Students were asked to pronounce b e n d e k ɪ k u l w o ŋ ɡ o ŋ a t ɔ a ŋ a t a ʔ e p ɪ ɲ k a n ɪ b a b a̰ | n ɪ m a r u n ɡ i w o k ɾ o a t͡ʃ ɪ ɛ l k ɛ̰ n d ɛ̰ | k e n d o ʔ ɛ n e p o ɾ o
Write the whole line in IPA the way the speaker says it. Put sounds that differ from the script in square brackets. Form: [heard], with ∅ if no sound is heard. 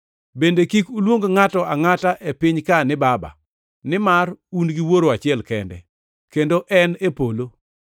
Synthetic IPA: b e n d e k [i] k u l w o ŋ ɡ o ŋ a t ɔ a ŋ a t a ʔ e p ɪ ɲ k a n ɪ b a b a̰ | n ɪ m a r u n ɡ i w o [∅] ɾ o a t͡ʃ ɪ ɛ l k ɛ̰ n d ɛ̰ | k e n d o ʔ ɛ n e p o [l] o